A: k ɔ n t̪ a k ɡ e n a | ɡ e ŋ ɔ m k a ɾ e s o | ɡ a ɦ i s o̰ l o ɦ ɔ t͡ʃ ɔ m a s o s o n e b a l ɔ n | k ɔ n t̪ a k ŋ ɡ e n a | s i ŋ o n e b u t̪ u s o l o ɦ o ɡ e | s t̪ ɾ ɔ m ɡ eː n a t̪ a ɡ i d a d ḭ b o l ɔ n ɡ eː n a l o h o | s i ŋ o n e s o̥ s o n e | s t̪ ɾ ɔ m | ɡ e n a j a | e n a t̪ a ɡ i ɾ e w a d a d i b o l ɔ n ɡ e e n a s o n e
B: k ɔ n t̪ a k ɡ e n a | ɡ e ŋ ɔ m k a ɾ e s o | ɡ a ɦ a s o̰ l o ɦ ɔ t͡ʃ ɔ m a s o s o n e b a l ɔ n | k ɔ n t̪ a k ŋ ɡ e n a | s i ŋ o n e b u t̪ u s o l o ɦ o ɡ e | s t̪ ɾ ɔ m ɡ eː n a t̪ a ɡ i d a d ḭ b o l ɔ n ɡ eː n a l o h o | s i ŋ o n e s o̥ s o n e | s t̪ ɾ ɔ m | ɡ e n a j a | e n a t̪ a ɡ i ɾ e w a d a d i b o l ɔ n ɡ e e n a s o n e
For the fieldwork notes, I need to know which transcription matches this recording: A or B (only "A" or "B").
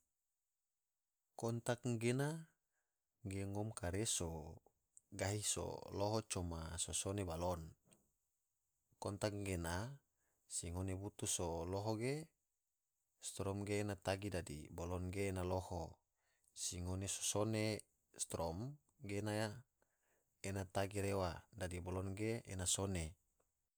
A